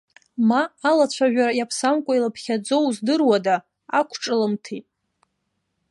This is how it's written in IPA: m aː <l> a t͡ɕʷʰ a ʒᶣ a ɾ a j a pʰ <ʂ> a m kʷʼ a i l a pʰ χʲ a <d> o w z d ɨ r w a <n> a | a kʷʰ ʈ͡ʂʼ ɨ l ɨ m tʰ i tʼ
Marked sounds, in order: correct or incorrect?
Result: correct, incorrect: s, incorrect: d͡z, incorrect: d

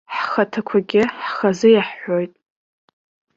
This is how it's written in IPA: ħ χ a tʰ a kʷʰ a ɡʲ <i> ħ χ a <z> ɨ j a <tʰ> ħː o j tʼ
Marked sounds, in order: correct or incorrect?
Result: incorrect: ɪ, correct, incorrect: none

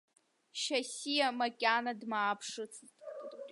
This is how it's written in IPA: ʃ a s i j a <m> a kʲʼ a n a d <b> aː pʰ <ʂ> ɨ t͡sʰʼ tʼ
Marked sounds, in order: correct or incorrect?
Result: correct, incorrect: m, correct

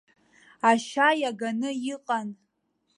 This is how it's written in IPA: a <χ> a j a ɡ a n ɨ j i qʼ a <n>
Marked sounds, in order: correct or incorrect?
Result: incorrect: ʃ, correct

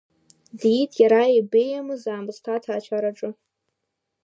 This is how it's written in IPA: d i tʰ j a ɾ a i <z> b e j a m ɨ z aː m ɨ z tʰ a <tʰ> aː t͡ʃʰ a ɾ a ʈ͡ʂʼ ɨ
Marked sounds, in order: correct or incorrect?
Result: incorrect: none, correct

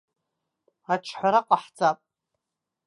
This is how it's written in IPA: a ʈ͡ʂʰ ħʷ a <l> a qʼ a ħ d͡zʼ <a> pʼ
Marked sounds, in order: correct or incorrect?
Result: incorrect: ɾ, correct

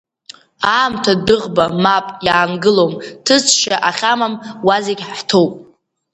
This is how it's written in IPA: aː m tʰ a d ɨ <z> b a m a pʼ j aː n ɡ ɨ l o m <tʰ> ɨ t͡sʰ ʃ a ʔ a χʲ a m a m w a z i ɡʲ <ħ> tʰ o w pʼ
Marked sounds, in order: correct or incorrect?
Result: incorrect: ʁ, correct, correct

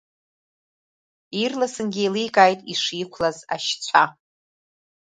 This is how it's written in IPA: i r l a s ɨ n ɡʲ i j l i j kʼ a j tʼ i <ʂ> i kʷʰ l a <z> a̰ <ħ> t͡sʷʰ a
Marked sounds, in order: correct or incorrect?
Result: correct, correct, incorrect: ʃ

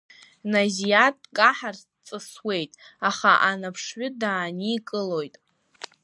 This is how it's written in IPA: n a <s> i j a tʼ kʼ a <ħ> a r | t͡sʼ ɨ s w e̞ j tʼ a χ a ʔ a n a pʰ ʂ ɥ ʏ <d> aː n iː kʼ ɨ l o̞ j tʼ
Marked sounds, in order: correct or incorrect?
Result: incorrect: z, correct, correct

